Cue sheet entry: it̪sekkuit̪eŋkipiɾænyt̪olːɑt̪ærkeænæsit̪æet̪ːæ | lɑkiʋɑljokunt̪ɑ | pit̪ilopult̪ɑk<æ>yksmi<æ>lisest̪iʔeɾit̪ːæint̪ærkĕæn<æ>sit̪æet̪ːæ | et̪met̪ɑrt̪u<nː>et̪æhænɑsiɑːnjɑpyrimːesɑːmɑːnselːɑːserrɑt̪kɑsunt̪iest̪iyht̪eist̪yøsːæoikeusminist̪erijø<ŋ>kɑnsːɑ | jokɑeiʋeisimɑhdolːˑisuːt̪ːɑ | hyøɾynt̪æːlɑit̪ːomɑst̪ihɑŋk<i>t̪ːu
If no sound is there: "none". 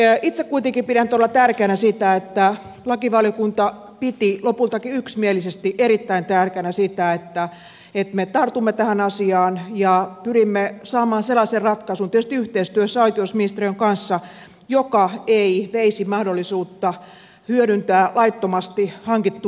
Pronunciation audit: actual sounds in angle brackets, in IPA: i, e, æ, mː, ŋ, i

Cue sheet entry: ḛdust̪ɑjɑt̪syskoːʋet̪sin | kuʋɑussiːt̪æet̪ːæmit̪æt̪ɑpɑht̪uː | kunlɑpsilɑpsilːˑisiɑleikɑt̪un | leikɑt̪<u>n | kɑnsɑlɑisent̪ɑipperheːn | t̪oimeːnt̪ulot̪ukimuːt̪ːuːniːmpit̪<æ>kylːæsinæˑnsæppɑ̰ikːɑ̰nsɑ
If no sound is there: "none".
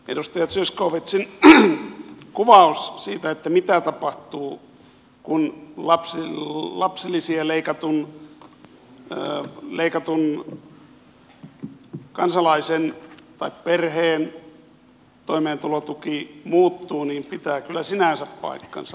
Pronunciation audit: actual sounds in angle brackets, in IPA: u, æː

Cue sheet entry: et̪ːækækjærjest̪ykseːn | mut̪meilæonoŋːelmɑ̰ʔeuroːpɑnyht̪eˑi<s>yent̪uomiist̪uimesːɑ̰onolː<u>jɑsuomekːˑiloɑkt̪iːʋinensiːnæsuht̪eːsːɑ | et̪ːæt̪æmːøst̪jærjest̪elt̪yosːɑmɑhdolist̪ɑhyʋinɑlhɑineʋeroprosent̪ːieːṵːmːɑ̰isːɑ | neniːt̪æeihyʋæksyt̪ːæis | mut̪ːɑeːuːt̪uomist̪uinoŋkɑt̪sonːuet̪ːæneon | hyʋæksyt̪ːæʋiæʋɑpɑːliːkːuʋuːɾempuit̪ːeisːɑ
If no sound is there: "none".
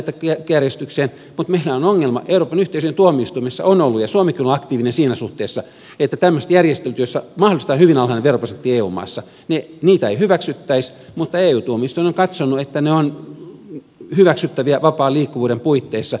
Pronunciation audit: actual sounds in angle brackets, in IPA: s, u

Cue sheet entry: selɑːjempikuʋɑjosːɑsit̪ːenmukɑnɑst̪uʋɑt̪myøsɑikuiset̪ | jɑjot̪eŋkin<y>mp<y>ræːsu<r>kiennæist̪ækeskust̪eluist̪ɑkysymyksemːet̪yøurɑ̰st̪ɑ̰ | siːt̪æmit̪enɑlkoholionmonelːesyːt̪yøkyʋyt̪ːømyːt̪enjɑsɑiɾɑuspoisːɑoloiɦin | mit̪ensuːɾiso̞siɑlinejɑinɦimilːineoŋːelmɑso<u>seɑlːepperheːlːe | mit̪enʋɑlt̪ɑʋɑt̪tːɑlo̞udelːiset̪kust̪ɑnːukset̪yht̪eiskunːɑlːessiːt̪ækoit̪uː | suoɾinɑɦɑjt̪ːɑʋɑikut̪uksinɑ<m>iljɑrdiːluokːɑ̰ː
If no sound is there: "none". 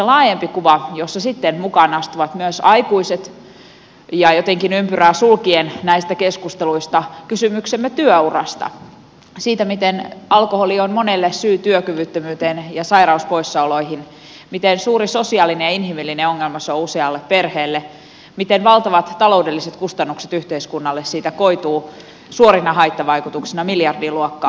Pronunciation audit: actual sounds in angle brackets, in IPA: y, y, l, u, m

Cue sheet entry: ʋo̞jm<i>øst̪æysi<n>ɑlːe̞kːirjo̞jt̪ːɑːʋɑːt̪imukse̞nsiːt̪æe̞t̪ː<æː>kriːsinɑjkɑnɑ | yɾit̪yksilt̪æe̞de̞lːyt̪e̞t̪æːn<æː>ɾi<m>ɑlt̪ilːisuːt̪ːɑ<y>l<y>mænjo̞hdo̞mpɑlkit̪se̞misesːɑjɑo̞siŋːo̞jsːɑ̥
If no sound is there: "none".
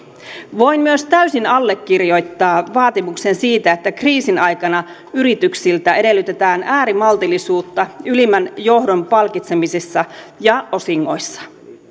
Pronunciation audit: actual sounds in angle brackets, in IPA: y, n, æ, æː, m, y, i

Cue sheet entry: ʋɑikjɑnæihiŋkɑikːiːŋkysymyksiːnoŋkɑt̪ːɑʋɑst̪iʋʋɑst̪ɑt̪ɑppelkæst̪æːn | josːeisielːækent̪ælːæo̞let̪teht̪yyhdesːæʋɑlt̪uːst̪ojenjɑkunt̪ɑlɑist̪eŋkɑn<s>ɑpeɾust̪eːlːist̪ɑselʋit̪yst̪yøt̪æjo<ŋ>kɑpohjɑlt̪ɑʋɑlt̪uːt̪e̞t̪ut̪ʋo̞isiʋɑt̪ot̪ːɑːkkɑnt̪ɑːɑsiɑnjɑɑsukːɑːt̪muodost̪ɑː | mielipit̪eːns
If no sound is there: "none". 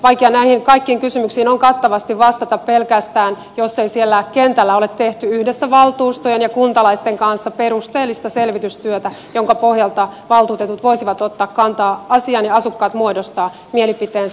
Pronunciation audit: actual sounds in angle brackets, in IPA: sː, ŋ

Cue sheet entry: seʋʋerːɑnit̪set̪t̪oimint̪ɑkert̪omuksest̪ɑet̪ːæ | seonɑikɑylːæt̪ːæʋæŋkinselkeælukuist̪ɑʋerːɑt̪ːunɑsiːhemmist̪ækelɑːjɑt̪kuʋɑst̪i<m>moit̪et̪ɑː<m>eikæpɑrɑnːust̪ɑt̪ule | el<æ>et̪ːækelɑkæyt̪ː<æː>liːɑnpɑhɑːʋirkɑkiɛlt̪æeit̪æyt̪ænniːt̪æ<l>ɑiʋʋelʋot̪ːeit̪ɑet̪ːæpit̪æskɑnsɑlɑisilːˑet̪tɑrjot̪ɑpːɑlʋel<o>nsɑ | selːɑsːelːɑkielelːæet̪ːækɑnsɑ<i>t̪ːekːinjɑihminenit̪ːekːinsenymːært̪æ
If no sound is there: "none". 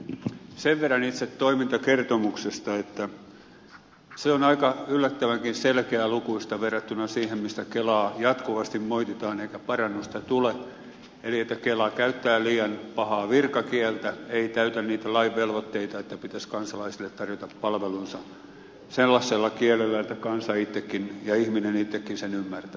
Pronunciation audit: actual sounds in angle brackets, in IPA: m, n, i, æː, l, u, i

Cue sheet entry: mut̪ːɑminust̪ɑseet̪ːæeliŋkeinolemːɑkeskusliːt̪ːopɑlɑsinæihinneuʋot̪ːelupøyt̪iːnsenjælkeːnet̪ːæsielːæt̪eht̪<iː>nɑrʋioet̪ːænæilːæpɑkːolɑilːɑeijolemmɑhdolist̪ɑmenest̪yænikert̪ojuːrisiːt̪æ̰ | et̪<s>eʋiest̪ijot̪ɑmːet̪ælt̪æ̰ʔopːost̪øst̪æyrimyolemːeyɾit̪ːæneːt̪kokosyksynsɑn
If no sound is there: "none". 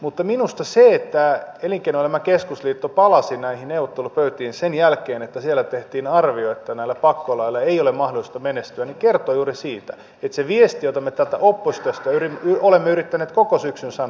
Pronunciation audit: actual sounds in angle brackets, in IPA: iː, s

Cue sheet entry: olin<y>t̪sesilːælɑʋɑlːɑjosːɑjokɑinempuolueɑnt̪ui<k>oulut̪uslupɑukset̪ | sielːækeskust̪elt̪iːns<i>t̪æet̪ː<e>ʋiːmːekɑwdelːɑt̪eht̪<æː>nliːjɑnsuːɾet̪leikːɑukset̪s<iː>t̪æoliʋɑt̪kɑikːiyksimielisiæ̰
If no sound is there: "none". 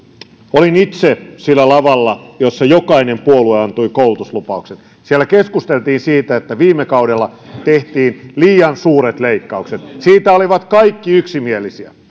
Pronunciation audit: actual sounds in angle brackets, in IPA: i, k, iː, æ, iː, iː

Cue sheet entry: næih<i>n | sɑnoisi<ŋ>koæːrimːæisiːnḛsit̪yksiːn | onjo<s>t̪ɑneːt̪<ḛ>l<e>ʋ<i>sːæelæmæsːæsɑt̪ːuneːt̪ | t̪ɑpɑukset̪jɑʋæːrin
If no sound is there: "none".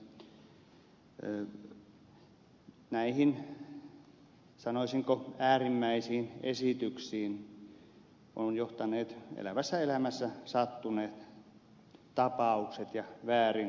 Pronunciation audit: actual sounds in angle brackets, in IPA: i, ŋ, h, ḛ, æ, æ

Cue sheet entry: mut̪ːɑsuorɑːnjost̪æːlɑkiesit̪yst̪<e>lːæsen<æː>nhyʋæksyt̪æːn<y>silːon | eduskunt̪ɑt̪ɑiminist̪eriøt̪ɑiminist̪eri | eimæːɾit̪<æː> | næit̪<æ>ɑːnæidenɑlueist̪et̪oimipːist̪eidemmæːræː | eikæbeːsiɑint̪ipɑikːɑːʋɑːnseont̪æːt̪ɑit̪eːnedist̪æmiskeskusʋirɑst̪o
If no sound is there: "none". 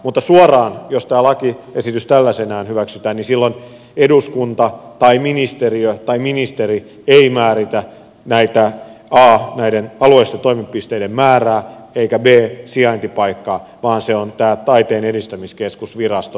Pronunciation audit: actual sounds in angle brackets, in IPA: æ, æː, i, æ, æ

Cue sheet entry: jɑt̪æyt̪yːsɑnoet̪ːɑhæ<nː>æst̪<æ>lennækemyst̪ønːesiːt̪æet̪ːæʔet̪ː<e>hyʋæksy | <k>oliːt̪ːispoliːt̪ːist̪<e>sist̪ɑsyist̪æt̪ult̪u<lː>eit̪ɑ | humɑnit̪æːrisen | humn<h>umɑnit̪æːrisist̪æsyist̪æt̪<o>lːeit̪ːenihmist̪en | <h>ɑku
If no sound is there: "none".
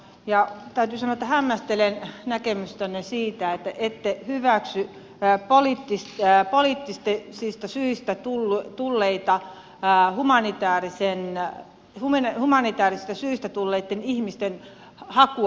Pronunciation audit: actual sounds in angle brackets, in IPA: mː, e, e, p, e, lː, h, u, h

